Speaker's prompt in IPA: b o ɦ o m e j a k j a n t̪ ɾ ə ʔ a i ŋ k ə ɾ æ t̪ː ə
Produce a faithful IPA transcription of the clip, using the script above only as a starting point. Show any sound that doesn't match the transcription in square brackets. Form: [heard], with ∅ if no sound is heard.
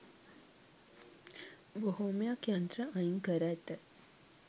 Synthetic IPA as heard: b o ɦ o m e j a k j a n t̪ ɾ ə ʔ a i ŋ k ə ɾ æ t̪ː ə